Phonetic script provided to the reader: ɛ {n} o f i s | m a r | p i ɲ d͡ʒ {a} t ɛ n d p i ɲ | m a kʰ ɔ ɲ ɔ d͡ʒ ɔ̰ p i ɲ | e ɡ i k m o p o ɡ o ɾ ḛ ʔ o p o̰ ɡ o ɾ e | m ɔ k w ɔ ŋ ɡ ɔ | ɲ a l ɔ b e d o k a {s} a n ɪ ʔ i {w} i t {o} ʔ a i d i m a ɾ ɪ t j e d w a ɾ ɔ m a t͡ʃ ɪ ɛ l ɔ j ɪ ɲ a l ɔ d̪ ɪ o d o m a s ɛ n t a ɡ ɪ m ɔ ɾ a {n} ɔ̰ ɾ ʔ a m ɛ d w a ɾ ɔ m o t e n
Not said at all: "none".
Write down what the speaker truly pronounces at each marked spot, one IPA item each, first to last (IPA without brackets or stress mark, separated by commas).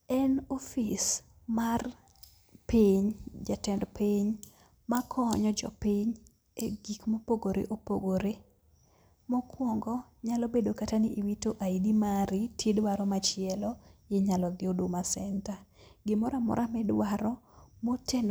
n, a, t, w, o, m